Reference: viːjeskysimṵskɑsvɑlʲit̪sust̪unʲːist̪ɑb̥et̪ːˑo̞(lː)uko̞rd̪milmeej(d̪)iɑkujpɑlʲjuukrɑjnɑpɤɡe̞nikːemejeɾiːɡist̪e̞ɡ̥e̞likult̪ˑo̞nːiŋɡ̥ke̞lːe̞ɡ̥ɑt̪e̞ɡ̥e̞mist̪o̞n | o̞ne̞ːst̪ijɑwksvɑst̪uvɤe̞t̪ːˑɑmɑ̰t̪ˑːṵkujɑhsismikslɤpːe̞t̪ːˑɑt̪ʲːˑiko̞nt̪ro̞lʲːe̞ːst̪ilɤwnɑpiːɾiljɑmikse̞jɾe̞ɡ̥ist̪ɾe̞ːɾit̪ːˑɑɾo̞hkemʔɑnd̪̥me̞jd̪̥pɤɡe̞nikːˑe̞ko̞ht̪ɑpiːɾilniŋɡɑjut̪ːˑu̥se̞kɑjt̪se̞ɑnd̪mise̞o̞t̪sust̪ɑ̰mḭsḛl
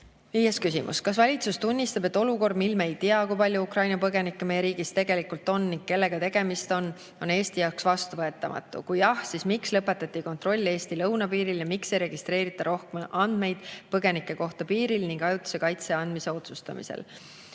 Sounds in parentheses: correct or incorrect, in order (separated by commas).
incorrect, incorrect